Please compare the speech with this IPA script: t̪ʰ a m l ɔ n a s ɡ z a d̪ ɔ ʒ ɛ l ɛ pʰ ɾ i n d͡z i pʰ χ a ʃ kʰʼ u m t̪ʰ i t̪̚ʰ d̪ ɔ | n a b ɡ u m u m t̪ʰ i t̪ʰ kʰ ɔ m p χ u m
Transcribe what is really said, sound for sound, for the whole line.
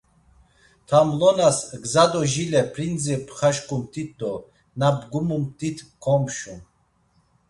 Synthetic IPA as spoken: t̪ʰ a m l ɔ n a s ɡ z a d̪ ɔ ʒ i l ɛ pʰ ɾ i n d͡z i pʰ χ a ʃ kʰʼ u m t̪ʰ i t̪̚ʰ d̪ ɔ | n a b ɡ u m u m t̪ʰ i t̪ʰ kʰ ɔ m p ʃ u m